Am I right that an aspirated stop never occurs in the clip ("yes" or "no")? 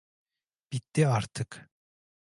no